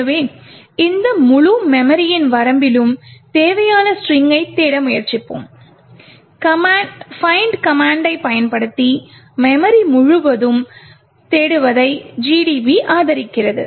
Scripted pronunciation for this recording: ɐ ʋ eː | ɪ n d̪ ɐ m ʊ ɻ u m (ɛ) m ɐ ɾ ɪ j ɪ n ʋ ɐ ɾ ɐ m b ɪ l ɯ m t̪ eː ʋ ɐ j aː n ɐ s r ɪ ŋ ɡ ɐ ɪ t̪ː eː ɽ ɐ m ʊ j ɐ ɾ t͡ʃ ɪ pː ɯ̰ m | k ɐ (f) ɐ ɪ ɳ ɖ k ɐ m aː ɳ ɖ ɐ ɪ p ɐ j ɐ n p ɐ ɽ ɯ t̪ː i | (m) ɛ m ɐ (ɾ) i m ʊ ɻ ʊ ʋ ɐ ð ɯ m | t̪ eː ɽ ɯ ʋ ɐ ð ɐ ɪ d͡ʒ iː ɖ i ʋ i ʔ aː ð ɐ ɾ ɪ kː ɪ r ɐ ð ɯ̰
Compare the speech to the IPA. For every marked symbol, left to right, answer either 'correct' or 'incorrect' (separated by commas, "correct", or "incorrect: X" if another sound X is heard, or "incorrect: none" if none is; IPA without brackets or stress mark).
correct, correct, correct, correct